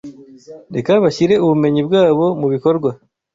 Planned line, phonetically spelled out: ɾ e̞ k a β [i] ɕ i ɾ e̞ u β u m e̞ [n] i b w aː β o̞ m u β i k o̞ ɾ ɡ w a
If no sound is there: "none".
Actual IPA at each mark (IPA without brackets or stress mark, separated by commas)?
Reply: a, ɲ